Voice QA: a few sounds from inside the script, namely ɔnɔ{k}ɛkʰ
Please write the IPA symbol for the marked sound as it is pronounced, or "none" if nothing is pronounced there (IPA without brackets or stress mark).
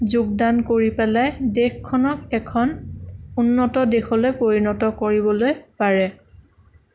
k